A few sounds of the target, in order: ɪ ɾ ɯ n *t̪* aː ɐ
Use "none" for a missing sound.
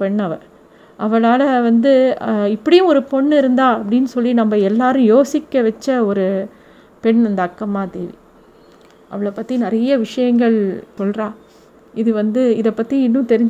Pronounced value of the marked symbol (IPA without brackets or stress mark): d̪